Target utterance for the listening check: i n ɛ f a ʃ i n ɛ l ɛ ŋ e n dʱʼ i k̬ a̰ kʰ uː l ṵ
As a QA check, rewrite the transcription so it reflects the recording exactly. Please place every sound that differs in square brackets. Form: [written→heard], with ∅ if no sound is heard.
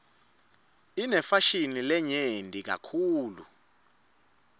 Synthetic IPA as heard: i n ɛ f a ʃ i n [ɛ→i] l ɛ [ŋ→ɲ] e n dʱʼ i k̬ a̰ kʰ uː l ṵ